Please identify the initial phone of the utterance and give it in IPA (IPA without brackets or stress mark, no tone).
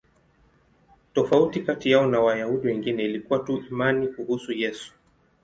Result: t